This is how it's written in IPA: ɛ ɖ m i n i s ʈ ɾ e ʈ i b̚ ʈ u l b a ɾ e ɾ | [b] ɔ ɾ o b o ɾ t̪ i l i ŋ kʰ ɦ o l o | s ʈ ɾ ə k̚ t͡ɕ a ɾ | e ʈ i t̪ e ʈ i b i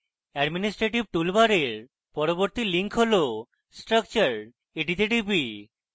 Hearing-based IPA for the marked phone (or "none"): p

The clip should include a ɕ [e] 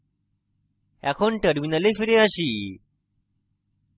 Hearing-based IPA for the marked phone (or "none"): i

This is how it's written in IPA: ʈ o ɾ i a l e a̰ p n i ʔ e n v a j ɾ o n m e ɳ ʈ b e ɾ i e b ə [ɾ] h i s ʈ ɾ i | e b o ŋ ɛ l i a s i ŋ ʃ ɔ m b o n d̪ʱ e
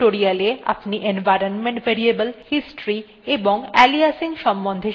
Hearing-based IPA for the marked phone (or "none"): l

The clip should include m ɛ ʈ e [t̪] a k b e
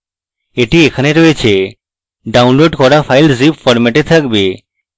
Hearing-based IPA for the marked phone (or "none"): t̪ʰ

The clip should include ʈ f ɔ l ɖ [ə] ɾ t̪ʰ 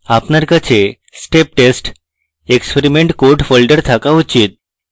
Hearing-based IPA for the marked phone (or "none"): ə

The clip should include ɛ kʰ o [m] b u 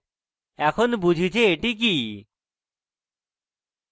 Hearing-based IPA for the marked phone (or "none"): n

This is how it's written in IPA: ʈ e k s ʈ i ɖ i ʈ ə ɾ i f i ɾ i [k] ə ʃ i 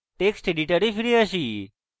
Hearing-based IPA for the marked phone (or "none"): none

